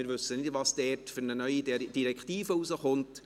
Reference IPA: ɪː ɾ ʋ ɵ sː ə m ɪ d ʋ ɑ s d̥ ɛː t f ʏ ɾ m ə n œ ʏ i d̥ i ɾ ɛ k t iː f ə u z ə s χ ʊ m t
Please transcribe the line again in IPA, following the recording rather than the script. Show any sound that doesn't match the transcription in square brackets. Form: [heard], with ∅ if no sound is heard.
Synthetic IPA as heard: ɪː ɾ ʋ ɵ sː ə [n] ɪ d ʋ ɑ s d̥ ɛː t f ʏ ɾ [n] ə n œ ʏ i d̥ i ɾ ɛ k t iː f ə u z ə [∅] χ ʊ [n] t